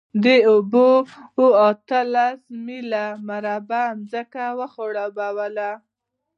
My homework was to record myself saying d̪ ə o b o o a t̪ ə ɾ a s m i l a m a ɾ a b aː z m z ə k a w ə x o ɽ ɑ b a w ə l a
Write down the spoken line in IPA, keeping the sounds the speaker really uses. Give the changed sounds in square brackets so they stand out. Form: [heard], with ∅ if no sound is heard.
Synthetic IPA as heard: d̪ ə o b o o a t̪ ə [l] a s m i l a m a ɾ a b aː [∅] m z ə k a w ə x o ɽ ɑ b a w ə l a